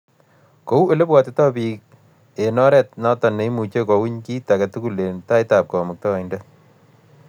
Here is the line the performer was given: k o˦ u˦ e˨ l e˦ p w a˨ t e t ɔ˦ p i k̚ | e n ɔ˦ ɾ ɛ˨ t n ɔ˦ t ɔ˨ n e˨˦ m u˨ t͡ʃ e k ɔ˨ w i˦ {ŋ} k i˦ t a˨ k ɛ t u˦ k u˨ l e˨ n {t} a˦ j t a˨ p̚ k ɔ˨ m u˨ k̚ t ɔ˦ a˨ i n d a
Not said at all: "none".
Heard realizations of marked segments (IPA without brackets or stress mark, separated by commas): ɲ, t